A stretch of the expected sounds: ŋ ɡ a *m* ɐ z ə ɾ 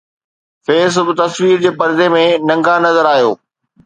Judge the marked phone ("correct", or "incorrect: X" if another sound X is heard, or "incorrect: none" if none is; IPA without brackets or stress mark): incorrect: n